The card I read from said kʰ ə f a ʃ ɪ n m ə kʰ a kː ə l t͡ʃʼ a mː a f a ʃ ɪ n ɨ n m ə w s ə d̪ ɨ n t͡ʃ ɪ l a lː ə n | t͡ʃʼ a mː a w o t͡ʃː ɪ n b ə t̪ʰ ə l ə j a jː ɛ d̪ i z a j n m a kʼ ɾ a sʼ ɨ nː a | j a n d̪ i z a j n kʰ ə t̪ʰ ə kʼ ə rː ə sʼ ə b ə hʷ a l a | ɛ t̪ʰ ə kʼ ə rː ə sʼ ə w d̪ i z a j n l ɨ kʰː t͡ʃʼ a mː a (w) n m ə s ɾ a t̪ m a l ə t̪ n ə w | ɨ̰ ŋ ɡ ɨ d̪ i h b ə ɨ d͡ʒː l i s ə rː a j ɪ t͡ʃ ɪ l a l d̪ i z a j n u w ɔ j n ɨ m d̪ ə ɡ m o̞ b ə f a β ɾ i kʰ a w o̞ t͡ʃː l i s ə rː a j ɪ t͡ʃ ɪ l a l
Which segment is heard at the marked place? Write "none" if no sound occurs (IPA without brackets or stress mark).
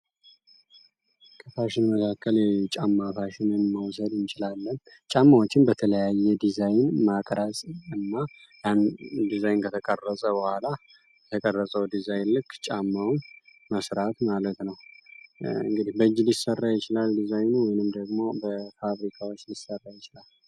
w